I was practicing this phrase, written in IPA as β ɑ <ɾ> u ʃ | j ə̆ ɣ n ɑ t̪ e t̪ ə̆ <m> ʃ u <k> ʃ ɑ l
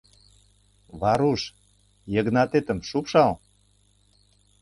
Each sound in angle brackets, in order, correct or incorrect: correct, correct, incorrect

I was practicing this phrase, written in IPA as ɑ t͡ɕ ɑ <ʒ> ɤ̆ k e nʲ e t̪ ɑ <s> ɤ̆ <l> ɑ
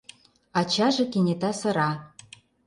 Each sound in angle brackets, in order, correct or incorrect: correct, correct, incorrect

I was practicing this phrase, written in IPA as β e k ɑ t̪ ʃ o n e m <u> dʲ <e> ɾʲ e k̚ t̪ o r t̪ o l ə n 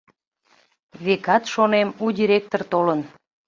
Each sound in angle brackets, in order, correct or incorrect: correct, incorrect

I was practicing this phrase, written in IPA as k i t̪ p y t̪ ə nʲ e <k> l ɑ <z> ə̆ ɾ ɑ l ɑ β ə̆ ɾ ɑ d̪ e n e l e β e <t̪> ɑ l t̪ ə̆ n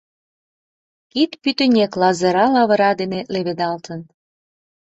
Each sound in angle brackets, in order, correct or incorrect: correct, correct, incorrect

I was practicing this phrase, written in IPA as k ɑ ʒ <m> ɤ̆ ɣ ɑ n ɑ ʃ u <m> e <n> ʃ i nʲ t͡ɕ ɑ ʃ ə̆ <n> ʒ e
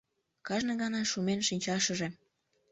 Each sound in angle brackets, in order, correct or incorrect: incorrect, correct, correct, incorrect

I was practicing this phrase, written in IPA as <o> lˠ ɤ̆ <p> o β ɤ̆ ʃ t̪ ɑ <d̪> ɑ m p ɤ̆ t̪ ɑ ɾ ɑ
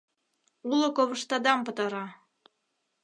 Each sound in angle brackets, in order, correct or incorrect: incorrect, incorrect, correct

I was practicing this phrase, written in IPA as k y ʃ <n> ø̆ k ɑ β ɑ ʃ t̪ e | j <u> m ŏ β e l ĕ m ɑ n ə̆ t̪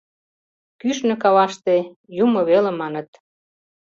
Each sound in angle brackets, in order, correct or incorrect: correct, correct

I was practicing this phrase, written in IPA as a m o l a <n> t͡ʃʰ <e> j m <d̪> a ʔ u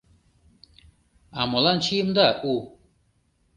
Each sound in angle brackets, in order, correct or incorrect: correct, incorrect, correct

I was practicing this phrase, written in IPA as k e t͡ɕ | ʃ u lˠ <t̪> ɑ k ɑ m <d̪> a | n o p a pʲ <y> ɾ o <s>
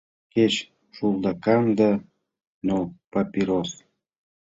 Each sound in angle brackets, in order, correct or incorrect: incorrect, correct, incorrect, correct

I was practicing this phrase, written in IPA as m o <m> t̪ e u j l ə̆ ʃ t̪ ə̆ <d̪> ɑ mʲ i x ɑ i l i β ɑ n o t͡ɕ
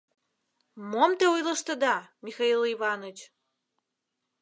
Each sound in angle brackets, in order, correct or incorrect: correct, correct

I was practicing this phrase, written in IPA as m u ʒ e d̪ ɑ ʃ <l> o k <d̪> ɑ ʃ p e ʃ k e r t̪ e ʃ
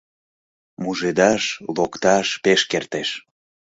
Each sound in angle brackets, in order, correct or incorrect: correct, incorrect

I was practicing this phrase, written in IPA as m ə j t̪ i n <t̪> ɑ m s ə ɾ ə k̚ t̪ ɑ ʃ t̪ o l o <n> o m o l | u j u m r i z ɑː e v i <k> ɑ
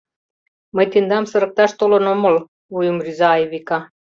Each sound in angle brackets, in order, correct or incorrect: incorrect, correct, correct

